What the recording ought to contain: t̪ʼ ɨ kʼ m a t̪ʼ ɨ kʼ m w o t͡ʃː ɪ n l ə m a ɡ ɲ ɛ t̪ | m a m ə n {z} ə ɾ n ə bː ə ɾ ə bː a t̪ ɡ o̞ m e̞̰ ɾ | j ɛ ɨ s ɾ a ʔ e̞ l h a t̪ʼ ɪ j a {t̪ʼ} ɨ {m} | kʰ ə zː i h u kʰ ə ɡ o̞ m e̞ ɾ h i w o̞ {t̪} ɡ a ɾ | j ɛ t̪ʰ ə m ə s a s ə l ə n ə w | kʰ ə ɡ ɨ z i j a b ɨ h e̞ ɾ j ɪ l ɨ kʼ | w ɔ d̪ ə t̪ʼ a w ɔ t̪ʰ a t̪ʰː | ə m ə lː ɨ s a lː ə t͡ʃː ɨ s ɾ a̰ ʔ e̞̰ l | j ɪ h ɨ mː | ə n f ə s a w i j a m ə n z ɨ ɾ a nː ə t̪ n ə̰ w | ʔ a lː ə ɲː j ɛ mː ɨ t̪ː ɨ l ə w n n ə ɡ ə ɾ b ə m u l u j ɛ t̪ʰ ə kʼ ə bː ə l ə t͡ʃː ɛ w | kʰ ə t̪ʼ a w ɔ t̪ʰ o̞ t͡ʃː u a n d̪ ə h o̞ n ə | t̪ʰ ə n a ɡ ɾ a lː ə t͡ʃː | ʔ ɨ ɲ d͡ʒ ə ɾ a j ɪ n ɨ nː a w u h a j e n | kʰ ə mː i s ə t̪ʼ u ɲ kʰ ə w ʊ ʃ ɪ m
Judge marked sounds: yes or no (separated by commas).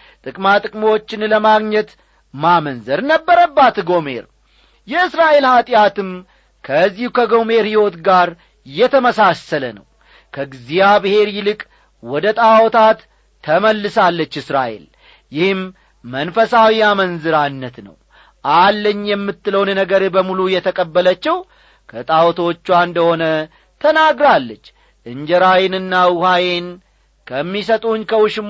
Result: yes, no, yes, yes